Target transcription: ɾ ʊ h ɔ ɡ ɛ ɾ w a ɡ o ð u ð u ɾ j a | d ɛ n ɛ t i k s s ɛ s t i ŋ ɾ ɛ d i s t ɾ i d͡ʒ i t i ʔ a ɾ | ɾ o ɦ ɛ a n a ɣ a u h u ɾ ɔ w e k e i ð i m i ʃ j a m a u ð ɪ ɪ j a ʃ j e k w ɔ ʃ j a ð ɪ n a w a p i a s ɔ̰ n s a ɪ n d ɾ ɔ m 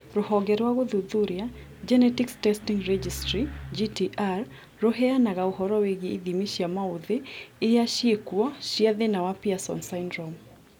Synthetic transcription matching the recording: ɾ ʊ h ɔ ɡ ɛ ɾ w a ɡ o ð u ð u ɾ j a | d͡ʒ ɛ n ɛ t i k s t ɛ s t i ŋ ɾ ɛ d͡ʒ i s t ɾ i d͡ʒ i t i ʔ a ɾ | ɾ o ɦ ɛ a n a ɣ a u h ɔ ɾ ɔ w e ɡ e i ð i m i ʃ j a m a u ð ɪ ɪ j a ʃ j e k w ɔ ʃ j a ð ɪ n a w a p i a s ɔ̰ n s a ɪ n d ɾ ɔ m